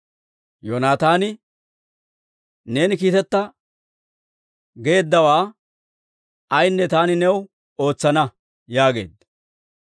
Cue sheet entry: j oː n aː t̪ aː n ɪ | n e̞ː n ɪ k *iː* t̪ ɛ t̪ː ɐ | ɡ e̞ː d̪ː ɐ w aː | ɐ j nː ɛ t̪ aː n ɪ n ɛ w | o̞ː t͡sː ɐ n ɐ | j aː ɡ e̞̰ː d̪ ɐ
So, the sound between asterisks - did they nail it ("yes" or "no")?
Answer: yes